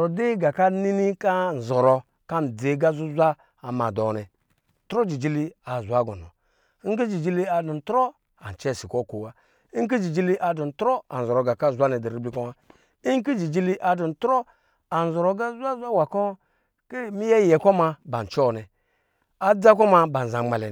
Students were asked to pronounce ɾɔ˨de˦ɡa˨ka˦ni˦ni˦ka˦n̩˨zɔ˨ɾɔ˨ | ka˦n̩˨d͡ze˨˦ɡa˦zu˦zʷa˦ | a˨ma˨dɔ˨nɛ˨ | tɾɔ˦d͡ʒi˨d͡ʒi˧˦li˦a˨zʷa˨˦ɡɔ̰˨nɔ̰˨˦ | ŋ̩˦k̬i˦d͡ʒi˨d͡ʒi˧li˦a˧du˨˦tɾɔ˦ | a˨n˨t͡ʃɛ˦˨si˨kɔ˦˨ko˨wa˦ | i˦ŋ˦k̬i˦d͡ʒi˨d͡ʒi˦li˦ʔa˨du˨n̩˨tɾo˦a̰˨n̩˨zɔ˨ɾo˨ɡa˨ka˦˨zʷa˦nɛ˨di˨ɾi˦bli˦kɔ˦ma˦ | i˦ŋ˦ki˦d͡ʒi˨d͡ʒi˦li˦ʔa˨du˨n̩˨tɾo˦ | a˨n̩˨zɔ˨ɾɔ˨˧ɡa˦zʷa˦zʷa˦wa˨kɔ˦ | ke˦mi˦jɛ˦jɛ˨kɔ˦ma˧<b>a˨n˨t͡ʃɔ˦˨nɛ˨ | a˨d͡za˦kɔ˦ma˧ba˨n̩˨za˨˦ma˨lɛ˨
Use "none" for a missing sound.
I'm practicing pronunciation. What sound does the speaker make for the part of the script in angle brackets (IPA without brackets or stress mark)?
b